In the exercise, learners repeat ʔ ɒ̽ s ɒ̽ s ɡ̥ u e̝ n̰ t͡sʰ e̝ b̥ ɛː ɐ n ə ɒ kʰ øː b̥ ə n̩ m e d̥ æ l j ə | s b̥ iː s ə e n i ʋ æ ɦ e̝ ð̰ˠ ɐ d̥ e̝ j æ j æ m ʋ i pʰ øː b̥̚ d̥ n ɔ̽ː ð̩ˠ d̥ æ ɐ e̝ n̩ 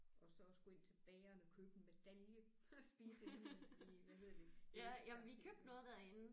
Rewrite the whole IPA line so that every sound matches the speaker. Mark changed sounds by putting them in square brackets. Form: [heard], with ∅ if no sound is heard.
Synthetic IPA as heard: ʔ ɒ̽ s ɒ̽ s ɡ̥ u e̝ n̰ t͡sʰ e̝ b̥ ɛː ɐ n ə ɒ kʰ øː b̥ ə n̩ m e d̥ æ l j ə | s b̥ iː s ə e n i ʋ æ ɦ e̝ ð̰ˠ ɐ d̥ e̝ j æ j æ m ʋ i [kʰ] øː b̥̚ d̥ n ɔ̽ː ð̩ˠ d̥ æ ɐ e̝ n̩